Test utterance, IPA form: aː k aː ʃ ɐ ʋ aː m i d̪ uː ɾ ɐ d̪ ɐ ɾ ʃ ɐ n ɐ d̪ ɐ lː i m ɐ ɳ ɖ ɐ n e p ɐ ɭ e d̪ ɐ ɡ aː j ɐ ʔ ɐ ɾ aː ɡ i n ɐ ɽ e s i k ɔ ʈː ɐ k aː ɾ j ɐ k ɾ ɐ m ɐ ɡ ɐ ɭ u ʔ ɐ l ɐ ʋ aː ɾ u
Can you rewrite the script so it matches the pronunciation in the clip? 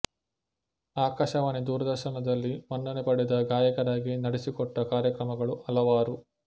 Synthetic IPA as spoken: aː k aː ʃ ɐ ʋ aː n i d̪ uː ɾ ɐ d̪ ɐ ɾ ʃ ɐ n ɐ d̪ ɐ lː i m ɐ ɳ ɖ ɐ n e p ɐ ɽ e d̪ ɐ ɡ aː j ɐ k ɐ ɾ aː ɡ i n ɐ ɽ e s i k ɔ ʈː ɐ k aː ɾ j ɐ k ɾ ɐ m ɐ ɡ ɐ ɭ u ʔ ɐ l ɐ ʋ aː ɾ u